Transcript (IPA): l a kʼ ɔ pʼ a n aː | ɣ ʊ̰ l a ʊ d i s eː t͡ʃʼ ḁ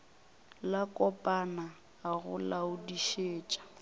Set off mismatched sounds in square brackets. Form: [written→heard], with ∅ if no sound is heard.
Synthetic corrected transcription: l a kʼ ɔ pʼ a n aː | ɣ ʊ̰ l a ʊ d i [s→ʃ] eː t͡ʃʼ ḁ